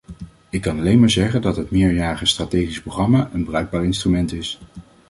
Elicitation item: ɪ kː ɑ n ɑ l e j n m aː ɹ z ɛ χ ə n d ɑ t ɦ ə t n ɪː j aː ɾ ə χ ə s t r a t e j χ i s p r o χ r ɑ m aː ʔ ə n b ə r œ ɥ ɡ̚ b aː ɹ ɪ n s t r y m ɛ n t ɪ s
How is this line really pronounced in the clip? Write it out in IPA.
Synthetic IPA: ɪ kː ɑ n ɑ l e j n m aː ɹ z ɛ χ ə n d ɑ t ɦ ə t m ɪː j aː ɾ ə χ ə s t r a t e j χ i s p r o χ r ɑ m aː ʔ ə n b ə r œ ɥ ɡ̚ b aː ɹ ɪ n s t r y m ɛ n t ɪ s